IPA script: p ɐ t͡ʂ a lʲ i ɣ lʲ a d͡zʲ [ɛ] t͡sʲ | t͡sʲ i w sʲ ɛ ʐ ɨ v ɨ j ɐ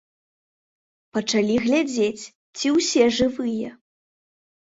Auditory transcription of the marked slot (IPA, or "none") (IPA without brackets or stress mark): e